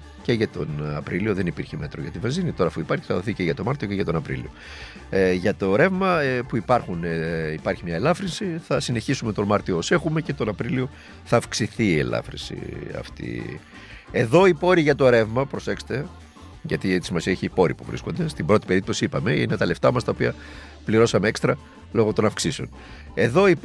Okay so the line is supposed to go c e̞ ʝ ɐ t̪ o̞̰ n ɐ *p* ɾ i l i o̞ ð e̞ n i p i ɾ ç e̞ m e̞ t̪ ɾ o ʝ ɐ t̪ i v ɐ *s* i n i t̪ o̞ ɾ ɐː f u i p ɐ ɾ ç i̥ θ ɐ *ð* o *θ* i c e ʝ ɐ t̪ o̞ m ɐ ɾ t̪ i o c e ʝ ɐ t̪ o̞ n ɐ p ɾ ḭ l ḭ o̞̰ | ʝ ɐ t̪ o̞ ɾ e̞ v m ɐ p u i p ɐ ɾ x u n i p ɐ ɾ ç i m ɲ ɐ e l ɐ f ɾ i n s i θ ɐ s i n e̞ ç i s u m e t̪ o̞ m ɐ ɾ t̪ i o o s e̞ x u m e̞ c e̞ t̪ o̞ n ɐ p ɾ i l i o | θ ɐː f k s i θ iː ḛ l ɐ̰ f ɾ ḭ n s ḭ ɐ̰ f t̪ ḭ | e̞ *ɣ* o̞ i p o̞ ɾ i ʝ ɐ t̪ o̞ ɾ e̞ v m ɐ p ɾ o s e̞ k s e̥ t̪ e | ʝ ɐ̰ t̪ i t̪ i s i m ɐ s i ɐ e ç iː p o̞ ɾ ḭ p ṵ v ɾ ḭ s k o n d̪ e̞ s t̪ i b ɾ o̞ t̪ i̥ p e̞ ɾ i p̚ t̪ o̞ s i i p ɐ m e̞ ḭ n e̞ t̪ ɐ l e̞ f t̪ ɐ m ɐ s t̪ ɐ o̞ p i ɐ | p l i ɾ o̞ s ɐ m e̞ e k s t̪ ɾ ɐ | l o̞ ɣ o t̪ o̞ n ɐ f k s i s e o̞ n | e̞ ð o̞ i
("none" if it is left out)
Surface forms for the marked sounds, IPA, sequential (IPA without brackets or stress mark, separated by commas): p, z, ð, θ, ð